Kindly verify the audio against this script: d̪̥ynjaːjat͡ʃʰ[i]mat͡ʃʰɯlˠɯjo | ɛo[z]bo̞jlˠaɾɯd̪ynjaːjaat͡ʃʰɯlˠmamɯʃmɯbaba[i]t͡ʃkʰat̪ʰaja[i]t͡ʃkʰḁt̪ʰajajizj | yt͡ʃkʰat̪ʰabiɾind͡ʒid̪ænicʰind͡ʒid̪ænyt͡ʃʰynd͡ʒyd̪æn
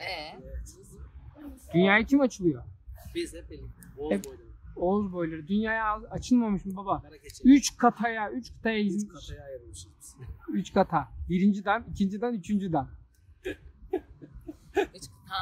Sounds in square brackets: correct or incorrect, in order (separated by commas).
correct, correct, incorrect, incorrect